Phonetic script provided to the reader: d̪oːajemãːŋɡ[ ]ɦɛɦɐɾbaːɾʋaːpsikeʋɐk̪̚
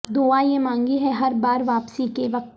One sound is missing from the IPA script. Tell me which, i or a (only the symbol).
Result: i